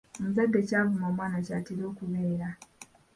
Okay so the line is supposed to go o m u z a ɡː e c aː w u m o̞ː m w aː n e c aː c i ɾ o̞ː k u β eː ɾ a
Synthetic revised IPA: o m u z a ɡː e c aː v u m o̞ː m w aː n a c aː t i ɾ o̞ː k u β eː ɾ a